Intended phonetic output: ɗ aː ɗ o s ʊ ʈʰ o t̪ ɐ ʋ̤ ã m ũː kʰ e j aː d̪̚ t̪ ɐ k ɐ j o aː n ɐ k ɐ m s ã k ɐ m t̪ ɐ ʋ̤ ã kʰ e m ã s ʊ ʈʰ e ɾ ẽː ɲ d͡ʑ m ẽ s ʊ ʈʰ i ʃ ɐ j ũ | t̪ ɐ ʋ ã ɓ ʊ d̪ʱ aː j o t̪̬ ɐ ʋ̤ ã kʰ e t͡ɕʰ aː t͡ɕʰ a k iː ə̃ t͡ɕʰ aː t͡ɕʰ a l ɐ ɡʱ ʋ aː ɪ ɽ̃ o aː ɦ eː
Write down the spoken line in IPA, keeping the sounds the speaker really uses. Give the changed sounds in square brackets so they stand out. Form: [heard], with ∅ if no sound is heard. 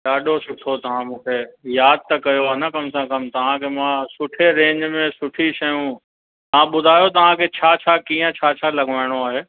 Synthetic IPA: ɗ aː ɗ o s ʊ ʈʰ o t̪ ɐ ʋ̤ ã m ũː kʰ e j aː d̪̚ t̪ ɐ k ɐ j o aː n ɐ k ɐ m s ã k ɐ m t̪ ɐ ʋ̤ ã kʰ e m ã s ʊ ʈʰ e ɾ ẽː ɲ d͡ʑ m ẽ s ʊ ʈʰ i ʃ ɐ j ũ | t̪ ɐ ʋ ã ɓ ʊ d̪ʱ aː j o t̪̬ ɐ ʋ̤ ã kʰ e t͡ɕʰ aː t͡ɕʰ a k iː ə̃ t͡ɕʰ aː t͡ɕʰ a l ɐ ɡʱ ʋ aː ɪ ɽ̃ o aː ɦ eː